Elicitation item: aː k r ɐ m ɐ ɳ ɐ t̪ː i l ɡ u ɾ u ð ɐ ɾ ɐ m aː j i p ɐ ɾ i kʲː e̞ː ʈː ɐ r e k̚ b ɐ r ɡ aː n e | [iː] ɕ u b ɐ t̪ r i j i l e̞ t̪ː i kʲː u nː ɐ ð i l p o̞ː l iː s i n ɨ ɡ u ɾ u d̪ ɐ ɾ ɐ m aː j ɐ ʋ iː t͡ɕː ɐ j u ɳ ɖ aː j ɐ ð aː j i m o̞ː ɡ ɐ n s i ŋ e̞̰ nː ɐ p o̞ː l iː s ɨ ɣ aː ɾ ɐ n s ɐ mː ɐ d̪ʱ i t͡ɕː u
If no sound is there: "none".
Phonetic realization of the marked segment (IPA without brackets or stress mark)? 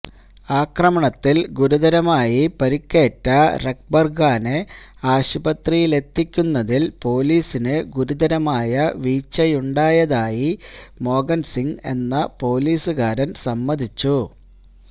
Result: aː